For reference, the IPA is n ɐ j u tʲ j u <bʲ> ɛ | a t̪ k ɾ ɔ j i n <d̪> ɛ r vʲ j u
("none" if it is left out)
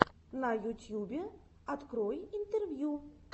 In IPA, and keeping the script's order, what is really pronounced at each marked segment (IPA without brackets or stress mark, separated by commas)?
bʲ, t̪